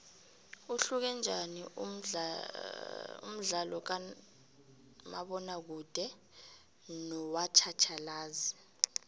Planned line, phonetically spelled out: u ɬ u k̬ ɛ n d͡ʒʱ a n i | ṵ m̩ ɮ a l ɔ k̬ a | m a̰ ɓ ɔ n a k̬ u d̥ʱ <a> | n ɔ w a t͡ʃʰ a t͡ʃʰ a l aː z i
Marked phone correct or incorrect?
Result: incorrect